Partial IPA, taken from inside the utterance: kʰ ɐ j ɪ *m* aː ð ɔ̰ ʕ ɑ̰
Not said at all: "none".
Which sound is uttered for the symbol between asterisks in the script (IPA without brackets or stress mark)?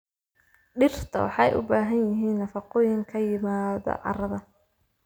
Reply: m